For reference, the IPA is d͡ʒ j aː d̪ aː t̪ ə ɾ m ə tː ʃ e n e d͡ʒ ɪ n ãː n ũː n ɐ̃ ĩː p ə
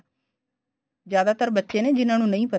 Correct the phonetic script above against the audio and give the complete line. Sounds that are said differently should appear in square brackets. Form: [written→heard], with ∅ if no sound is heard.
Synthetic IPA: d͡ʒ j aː d̪ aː t̪ ə ɾ [m→b] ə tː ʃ e n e d͡ʒ ɪ n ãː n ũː n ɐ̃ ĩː p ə